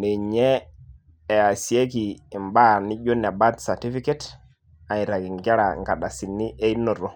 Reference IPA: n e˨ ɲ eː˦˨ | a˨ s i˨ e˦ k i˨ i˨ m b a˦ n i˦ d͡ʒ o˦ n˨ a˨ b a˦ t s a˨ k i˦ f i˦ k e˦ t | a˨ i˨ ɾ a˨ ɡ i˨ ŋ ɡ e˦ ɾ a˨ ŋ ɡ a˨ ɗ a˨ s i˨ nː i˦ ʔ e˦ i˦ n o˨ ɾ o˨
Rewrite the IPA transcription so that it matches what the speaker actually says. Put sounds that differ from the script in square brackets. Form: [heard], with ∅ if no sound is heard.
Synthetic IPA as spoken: n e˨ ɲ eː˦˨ | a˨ s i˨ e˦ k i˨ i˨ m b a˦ n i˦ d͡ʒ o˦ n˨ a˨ b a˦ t s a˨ [t] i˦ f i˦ k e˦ t | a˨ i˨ ɾ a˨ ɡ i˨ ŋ ɡ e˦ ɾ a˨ ŋ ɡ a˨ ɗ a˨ s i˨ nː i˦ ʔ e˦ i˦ n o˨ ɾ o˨